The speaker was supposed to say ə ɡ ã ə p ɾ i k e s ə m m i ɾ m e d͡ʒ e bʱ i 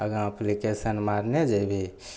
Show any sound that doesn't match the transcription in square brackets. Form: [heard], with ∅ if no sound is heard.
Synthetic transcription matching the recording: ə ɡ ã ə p [l] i k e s ə [n] m [a] ɾ [n] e d͡ʒ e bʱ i